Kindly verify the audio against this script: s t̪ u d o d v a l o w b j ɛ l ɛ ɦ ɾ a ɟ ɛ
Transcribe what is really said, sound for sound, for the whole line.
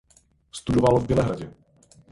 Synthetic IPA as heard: s t̪ u d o v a l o v b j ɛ l ɛ ɦ ɾ a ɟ ɛ